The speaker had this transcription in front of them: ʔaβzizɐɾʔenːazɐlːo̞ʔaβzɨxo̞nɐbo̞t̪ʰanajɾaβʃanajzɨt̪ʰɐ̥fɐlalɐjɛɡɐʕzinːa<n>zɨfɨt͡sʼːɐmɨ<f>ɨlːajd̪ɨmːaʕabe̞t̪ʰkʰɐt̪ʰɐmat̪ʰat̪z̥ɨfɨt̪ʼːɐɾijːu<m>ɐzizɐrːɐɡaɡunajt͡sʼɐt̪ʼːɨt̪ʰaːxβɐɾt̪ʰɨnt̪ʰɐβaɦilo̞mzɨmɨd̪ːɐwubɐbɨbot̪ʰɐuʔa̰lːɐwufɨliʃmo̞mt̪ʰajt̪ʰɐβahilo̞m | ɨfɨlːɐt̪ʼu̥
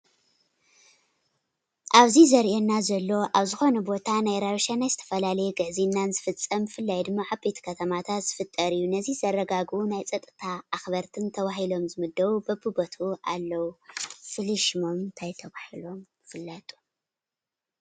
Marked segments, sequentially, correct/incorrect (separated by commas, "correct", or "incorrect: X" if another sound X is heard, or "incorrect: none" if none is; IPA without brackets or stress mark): correct, correct, incorrect: n